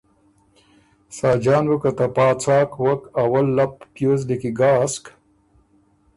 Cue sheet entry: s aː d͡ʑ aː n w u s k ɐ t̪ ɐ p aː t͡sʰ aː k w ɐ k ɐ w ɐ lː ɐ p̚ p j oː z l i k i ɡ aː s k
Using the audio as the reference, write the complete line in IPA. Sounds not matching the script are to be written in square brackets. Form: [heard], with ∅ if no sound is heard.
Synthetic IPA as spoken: s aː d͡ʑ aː n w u [∅] k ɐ t̪ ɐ p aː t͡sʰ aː k w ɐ k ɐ w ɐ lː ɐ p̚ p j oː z l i k i ɡ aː s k

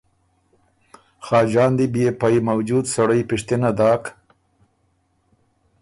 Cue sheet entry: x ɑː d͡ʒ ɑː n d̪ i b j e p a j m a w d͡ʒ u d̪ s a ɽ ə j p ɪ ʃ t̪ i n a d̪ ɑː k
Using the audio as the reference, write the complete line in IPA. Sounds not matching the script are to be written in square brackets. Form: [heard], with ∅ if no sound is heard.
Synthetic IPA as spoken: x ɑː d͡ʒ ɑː n d̪ i b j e p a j m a w d͡ʒ u d̪ s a ɽ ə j p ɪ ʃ t̪ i n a d̪ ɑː k

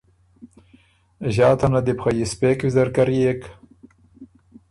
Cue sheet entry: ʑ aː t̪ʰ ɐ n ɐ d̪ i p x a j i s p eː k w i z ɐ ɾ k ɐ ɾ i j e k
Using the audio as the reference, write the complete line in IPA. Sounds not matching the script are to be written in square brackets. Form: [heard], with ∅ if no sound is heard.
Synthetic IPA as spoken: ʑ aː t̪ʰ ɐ n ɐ d̪ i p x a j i s p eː k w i z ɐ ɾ k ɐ ɾ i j e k

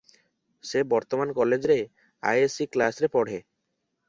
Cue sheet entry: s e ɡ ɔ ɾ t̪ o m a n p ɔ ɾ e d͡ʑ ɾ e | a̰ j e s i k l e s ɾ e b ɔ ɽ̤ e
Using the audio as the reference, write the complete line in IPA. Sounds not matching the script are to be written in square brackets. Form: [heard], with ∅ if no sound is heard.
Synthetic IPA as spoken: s e [b] ɔ ɾ t̪ o m a n [k] ɔ [l] e d͡ʑ ɾ e | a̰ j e s i k l [a] s ɾ e [p] ɔ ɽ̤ e

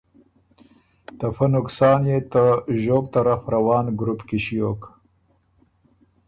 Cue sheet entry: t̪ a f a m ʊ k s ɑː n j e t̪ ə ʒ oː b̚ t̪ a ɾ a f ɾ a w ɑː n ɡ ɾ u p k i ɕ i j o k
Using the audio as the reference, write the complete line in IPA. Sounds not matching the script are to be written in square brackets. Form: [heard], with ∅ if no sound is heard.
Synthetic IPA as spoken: t̪ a f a [n] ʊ k s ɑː n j e t̪ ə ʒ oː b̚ t̪ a ɾ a f ɾ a w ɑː n ɡ ɾ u p k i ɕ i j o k

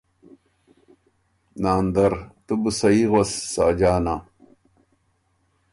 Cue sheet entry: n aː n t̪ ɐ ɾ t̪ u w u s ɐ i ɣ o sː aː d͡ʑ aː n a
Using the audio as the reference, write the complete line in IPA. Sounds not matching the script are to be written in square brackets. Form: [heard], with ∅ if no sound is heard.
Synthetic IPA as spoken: n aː n [d̪] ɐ ɾ t̪ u [b] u s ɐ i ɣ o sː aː d͡ʑ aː n a

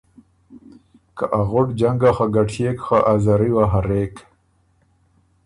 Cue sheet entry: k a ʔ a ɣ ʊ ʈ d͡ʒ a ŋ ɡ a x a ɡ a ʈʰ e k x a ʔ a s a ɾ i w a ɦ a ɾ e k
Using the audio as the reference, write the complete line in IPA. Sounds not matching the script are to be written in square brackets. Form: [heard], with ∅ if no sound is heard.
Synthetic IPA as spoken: k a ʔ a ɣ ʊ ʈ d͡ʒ a ŋ ɡ a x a ɡ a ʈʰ e k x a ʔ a [z] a ɾ i w a ɦ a ɾ e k

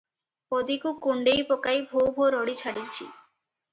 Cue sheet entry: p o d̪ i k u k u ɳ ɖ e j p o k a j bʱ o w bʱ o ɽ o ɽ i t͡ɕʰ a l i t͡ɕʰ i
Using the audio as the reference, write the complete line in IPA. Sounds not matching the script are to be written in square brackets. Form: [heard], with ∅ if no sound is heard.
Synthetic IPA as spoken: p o d̪ i k u k u ɳ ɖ e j p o k a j bʱ o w bʱ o [ɾ] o ɽ i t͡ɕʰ a [ɽ] i t͡ɕʰ i

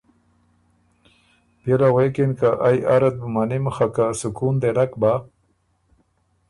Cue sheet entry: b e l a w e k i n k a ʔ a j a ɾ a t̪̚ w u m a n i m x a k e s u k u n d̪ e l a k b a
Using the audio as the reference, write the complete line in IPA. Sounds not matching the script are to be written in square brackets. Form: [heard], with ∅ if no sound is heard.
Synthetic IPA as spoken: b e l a w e k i n k a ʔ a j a ɾ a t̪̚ [b] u m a n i m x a k [a] s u k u n d̪ e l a k b a

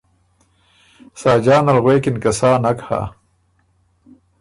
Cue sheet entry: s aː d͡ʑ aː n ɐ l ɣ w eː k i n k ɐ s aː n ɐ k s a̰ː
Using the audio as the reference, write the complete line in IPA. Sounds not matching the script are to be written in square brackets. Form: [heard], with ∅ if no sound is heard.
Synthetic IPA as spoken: s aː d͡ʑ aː n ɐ l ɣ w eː k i n k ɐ s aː n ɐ k [h] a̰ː

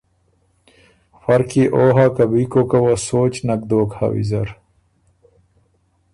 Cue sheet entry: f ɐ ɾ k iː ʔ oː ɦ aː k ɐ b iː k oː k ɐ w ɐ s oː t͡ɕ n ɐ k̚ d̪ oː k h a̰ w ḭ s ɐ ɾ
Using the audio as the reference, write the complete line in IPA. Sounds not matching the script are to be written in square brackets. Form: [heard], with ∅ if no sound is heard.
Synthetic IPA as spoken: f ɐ ɾ k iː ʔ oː ɦ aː k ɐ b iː k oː k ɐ w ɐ s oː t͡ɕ n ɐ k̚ d̪ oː k h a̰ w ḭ [z] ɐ ɾ

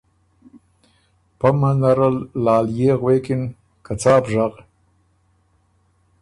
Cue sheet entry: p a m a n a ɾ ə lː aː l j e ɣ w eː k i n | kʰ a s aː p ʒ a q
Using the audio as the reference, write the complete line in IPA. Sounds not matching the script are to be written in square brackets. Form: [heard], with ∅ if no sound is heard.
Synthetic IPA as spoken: p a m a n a ɾ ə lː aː l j e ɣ w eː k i n | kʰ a [t͡s] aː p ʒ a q

